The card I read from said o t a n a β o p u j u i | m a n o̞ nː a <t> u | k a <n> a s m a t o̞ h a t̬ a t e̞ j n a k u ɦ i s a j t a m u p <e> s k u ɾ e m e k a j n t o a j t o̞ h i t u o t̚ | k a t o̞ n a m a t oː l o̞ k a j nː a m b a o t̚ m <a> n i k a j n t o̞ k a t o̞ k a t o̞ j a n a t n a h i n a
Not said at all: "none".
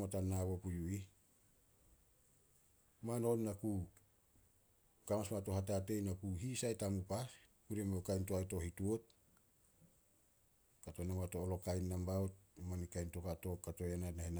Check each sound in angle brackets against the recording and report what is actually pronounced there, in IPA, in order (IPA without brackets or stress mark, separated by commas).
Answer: k, m, a, a